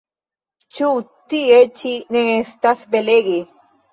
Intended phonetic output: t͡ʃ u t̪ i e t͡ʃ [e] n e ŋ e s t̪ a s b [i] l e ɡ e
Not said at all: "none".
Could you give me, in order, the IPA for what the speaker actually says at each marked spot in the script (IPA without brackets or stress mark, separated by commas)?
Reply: i, e